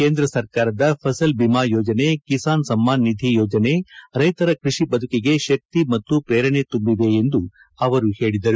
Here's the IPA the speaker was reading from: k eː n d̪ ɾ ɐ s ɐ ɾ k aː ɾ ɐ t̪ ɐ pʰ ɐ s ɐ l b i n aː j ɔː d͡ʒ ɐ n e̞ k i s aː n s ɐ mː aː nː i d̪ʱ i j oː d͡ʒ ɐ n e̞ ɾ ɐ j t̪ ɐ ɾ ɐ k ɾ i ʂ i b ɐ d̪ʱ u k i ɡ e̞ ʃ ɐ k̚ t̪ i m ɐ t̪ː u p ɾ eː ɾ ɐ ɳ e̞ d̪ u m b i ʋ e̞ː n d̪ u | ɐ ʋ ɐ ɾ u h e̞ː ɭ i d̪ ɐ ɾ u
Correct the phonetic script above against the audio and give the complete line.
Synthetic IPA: k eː n d̪ ɾ ɐ s ɐ ɾ k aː ɾ ɐ d̪ ɐ pʰ ɐ s ɐ l b i m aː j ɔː d͡ʒ ɐ n e̞ k i s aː n s ɐ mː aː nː i d̪ʱ i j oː d͡ʒ ɐ n e̞ ɾ ɐ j t̪ ɐ ɾ ɐ k ɾ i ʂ i b ɐ d̪ʱ u k i ɡ e̞ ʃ ɐ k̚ t̪ i m ɐ t̪ː u p ɾ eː ɾ ɐ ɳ e̞ t̪ u m b i ʋ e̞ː n d̪ u | ɐ ʋ ɐ ɾ u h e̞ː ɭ i d̪ ɐ ɾ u